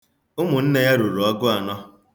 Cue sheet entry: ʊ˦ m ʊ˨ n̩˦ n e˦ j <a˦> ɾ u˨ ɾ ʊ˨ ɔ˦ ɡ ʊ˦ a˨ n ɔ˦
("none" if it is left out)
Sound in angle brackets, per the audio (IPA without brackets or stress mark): a˦